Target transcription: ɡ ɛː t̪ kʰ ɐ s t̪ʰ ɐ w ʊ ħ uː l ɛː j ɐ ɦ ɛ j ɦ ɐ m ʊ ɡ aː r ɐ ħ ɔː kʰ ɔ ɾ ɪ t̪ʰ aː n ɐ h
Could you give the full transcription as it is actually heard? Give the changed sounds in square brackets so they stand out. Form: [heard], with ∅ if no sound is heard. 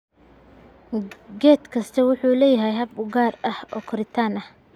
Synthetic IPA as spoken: ɡ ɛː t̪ kʰ ɐ s t̪ʰ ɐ w ʊ ħ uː l ɛː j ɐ ɦ ɛ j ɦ ɐ [b] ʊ ɡ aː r ɐ [h] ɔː kʰ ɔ ɾ ɪ t̪ʰ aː n ɐ h